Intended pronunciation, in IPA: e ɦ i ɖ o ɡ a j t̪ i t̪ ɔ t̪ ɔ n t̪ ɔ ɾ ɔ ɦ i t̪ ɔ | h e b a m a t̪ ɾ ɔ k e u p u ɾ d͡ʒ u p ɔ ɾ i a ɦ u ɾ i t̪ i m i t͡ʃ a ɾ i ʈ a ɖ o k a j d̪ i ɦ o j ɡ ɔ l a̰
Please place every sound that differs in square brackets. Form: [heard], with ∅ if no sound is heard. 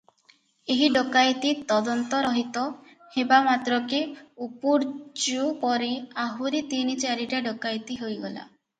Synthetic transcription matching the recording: e ɦ i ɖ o [k] a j t̪ i t̪ ɔ [d̪] ɔ n t̪ ɔ ɾ ɔ ɦ i t̪ ɔ | h e b a m a t̪ ɾ ɔ k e u p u ɾ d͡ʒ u p ɔ ɾ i a ɦ u ɾ i t̪ i [n] i t͡ʃ a ɾ i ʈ a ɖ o k a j [t̪] i ɦ o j ɡ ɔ l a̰